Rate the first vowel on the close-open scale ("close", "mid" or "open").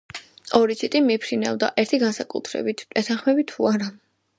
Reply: mid